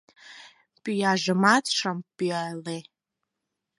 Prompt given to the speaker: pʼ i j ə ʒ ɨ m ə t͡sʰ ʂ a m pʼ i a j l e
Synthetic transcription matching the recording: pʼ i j a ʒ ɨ m a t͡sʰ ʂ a m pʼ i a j l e

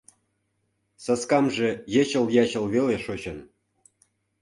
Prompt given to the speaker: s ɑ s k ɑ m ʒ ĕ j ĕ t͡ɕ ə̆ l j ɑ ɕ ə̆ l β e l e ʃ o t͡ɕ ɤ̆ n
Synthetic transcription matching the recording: s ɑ s k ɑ m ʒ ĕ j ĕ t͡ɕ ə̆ l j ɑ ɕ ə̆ l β e l e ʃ o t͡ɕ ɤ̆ n

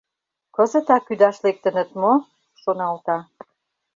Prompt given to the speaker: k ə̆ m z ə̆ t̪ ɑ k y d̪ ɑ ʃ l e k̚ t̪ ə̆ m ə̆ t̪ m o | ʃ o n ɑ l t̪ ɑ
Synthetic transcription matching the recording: k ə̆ z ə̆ t̪ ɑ k y d̪ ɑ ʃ l e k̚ t̪ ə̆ n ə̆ t̪ m o | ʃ o n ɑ l t̪ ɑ

